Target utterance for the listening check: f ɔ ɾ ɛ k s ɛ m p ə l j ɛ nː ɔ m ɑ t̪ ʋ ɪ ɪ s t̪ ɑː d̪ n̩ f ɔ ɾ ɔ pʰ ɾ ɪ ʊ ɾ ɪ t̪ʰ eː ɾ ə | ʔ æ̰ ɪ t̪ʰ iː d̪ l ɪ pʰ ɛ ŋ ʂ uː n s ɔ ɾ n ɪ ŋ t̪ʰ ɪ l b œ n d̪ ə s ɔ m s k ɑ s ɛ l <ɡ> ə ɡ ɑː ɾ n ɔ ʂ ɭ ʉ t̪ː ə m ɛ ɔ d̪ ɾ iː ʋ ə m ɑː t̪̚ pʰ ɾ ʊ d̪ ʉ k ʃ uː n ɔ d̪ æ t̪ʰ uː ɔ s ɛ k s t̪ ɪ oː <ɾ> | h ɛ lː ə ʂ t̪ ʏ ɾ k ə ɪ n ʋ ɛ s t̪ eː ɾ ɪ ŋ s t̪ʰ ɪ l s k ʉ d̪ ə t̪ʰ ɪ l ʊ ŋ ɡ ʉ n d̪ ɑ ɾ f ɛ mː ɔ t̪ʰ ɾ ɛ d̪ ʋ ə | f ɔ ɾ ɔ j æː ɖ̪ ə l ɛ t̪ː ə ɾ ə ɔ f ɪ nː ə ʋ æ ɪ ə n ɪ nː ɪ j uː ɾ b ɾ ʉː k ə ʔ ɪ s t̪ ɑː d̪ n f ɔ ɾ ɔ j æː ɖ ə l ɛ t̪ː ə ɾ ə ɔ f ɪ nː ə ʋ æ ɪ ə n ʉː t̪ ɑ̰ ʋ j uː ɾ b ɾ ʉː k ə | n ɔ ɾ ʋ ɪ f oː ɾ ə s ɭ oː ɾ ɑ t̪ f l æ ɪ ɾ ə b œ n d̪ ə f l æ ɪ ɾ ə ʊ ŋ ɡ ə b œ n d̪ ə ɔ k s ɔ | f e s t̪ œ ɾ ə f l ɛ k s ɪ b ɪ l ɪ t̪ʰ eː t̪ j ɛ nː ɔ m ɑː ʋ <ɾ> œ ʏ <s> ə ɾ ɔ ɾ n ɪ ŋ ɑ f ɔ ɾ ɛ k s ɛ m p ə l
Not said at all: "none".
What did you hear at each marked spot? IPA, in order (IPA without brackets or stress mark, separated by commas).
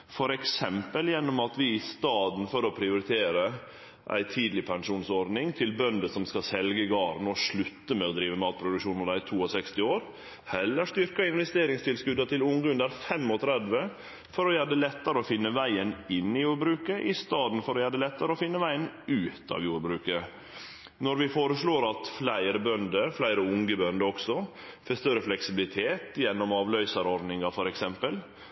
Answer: ɡ, ɾ, l, s